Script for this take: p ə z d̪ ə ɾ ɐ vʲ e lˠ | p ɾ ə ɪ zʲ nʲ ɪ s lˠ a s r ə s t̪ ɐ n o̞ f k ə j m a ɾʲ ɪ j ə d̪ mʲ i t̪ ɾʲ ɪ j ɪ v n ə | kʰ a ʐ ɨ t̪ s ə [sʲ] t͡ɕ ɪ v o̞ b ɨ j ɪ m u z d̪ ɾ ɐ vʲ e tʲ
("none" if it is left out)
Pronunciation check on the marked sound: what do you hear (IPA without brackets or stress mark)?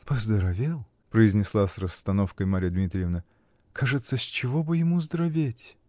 sʲ